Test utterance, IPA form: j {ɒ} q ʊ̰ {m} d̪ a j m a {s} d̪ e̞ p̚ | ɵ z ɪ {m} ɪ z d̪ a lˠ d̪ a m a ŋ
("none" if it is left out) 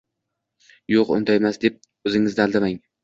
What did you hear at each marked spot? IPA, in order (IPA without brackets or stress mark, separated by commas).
o, n, s, ŋ